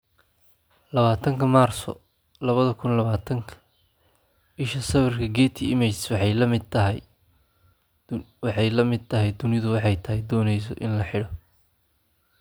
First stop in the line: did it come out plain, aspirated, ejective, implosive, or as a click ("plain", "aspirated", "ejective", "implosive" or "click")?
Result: aspirated